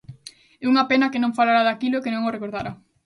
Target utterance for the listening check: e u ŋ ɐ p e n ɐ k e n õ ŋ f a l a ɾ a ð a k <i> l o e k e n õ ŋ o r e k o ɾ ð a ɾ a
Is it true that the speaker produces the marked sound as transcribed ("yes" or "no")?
yes